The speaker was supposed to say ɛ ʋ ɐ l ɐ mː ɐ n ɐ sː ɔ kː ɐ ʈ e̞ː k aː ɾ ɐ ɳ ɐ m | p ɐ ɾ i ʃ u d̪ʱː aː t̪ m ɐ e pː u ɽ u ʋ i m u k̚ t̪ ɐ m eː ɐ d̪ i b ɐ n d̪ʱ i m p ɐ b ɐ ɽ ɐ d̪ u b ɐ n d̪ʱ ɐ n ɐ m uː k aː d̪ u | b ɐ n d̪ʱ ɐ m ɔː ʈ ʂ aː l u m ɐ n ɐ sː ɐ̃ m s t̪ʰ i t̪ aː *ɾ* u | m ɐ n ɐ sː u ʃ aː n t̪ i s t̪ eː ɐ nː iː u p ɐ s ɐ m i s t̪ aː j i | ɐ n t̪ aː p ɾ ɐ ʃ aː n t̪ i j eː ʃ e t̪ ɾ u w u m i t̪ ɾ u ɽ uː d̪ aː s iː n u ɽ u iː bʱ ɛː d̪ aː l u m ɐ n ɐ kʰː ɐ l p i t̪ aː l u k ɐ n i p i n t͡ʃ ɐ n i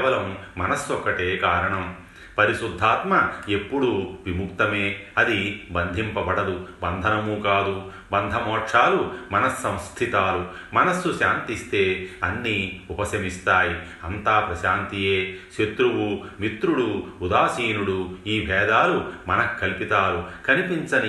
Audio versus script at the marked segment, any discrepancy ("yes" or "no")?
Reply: yes